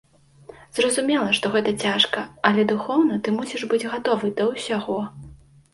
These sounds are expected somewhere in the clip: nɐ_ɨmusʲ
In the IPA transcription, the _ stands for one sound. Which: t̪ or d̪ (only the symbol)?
t̪